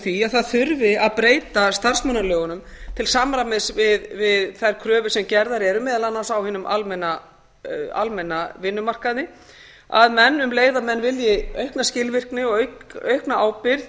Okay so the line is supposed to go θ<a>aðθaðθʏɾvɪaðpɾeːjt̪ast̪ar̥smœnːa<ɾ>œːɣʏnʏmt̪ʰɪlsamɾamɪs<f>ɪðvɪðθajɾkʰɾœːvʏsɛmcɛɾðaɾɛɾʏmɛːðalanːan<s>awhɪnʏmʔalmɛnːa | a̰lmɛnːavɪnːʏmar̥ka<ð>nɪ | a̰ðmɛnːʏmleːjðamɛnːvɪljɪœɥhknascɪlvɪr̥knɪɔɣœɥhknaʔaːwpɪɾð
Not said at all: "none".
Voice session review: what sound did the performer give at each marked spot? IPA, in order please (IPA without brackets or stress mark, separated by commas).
i, l, v, s, ð